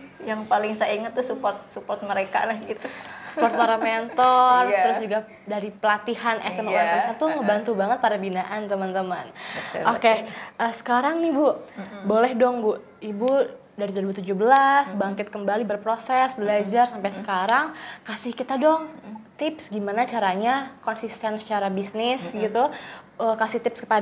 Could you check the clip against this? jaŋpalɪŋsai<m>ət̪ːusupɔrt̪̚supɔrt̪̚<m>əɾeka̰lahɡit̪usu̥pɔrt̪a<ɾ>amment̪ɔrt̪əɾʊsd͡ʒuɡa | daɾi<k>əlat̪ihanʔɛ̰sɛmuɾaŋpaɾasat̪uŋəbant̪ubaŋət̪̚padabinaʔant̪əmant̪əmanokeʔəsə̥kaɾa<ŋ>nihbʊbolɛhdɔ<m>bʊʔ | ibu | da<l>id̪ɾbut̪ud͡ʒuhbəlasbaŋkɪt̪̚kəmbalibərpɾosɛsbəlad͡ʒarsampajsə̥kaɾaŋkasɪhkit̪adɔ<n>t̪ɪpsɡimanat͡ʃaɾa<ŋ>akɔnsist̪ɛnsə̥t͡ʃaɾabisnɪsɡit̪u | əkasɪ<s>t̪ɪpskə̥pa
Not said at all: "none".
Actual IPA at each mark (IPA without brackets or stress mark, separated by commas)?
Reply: ŋ, m, ɾ, p, ŋ, ŋ, ɾ, ŋ, ɲ, h